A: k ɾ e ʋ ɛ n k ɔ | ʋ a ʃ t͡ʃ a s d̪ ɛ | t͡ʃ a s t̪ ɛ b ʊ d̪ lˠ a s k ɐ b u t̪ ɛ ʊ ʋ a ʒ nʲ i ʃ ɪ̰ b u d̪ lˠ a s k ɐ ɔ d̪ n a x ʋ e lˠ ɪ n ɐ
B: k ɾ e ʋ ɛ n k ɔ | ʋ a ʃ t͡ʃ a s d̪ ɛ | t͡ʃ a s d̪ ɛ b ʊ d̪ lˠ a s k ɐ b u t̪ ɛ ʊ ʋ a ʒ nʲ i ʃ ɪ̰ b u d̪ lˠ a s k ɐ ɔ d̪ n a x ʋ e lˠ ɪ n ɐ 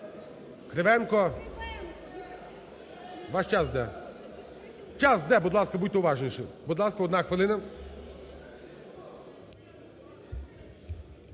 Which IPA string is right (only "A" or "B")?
B